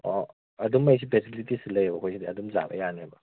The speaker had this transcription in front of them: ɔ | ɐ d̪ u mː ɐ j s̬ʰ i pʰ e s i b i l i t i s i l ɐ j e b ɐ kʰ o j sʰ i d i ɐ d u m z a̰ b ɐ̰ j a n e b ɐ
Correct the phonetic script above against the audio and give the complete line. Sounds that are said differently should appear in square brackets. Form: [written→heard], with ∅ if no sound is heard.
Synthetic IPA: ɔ | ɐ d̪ u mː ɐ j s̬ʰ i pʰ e s i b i l i t i s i l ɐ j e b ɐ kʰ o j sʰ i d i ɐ d u m z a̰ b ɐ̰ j a n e b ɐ

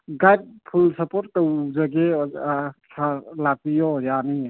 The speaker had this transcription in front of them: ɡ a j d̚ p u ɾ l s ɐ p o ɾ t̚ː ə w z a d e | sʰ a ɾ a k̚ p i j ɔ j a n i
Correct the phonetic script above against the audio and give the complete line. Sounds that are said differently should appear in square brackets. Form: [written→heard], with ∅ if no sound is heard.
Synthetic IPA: ɡ a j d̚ [p→pʰ] u [ɾ→∅] l s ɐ p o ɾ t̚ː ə w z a [d→ɡ] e | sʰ a [ɾ→l] a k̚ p i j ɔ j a n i

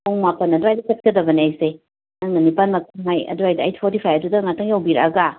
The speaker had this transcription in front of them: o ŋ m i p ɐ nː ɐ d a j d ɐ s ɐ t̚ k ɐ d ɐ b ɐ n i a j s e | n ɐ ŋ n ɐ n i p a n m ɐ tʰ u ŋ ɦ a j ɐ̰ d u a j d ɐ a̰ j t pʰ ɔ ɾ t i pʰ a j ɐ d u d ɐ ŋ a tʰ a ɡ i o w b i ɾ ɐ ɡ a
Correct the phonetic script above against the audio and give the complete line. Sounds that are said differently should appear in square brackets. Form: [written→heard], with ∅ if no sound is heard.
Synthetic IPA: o ŋ m [i→a] p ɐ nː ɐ d a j d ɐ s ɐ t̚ k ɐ d ɐ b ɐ n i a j s e | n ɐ ŋ n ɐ n i p a n m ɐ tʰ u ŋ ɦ a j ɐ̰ d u a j d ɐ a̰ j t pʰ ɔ ɾ t i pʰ a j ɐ d u d ɐ ŋ a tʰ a [ɡ→ŋ] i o w b i ɾ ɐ ɡ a

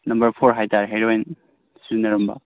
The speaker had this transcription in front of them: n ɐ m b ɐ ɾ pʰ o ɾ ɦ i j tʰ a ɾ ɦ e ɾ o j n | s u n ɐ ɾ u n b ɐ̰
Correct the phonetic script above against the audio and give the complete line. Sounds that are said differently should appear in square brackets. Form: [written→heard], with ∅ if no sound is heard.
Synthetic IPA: n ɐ m b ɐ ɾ pʰ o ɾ ɦ [i→a] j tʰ a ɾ ɦ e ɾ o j n | s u n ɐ ɾ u [n→m] b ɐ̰

